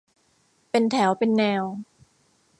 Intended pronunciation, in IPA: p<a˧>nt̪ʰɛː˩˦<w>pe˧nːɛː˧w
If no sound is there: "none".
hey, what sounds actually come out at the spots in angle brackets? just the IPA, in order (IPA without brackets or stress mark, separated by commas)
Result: e˧, w